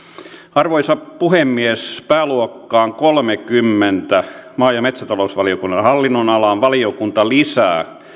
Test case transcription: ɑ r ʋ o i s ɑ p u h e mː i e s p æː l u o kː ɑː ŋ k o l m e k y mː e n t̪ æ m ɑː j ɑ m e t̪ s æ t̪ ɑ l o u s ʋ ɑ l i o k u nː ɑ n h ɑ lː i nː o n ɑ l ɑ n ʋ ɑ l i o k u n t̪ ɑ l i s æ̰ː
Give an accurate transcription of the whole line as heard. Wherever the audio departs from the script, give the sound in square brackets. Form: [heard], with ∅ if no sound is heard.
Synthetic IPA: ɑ r ʋ o i s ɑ p u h e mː i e s p æː l u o kː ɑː ŋ k o l m e k y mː e n t̪ æ m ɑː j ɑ m e t̪ s æ t̪ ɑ l o u s ʋ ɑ l i o k u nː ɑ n h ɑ lː i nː o n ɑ l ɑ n ʋ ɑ l i o k u n t̪ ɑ l i s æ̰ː